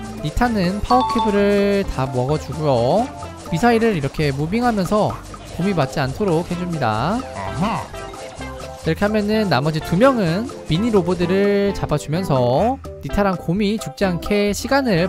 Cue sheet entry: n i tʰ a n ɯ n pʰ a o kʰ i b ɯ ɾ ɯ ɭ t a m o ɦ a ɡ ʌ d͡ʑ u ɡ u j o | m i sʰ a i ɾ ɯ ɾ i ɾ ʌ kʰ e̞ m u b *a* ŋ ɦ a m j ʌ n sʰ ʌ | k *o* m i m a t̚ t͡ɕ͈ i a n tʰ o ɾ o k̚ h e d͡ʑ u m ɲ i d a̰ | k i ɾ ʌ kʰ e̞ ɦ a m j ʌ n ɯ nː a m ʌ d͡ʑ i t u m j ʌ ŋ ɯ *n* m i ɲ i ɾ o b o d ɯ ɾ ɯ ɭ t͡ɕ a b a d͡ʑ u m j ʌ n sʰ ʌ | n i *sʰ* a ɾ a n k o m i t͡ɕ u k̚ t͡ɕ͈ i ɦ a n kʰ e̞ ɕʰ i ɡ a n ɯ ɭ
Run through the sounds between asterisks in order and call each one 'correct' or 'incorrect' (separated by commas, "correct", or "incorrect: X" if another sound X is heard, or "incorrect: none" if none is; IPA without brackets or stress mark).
incorrect: i, correct, correct, incorrect: tʰ